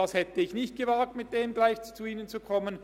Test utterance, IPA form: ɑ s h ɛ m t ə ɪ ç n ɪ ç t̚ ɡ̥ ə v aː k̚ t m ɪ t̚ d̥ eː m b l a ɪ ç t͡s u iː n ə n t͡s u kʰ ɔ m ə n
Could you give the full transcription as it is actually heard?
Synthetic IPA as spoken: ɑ s h ɛ t ə ɪ ç n ɪ ç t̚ ɡ̥ ə v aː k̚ t m ɪ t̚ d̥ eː m ɡ l a ɪ ç t͡s u iː n ə n t͡s u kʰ ɔ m ə n